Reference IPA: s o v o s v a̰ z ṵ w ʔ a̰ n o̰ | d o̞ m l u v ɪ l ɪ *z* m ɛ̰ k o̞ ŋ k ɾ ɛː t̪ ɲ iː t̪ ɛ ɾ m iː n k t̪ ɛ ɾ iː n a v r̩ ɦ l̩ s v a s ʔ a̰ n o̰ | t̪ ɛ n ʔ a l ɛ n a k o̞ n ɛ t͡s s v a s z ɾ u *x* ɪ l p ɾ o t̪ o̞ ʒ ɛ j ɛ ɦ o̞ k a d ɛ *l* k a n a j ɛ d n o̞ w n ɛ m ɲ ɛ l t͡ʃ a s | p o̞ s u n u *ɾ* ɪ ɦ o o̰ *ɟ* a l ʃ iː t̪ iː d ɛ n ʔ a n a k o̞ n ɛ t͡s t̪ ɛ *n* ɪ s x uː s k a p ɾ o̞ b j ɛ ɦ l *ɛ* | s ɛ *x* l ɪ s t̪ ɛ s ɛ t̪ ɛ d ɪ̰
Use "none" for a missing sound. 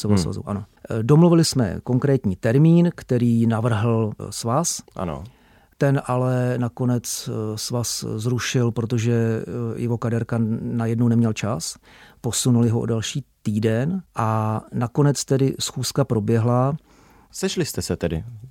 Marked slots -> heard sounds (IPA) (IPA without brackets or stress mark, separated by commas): s, ʃ, ɾ, l, d, d, a, ʃ